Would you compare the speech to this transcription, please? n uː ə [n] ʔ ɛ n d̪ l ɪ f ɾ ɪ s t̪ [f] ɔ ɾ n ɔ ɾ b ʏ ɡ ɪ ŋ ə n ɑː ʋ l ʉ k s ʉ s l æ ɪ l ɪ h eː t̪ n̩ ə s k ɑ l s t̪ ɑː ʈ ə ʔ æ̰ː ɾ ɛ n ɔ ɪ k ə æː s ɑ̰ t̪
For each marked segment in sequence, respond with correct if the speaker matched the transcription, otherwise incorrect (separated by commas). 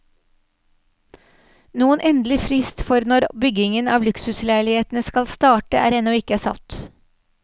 correct, correct